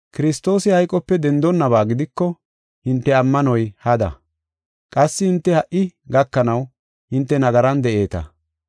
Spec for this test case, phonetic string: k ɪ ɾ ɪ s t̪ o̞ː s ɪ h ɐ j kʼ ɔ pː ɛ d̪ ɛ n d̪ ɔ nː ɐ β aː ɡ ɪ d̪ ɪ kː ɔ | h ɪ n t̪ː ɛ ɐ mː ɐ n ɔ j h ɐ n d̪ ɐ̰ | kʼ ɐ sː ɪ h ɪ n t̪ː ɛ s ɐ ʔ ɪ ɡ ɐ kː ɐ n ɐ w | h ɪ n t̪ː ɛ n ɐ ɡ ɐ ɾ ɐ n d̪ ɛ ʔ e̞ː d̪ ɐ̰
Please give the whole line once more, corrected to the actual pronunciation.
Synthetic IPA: k ɪ ɾ ɪ s t̪ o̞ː s ɪ h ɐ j kʼ ɔ pː ɛ d̪ ɛ n d̪ ɔ nː ɐ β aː ɡ ɪ d̪ ɪ kː ɔ | h ɪ n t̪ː ɛ ɐ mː ɐ n ɔ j h ɐ d̪ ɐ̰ | kʼ ɐ sː ɪ h ɪ n t̪ː ɛ h ɐ ʔ ɪ ɡ ɐ kː ɐ n ɐ w | h ɪ n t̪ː ɛ n ɐ ɡ ɐ ɾ ɐ n d̪ ɛ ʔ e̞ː t̪ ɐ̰